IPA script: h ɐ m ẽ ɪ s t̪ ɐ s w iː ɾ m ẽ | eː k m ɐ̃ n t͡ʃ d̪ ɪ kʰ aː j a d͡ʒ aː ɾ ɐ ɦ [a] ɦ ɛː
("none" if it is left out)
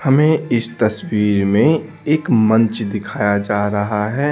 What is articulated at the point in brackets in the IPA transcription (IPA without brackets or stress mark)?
a